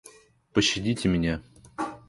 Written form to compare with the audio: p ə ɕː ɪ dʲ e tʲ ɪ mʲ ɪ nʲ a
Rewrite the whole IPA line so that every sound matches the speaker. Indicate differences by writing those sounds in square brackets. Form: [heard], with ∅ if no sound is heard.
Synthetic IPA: p ə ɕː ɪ dʲ [i] tʲ ɪ mʲ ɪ nʲ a